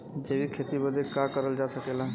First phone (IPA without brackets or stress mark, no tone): d͡ʒ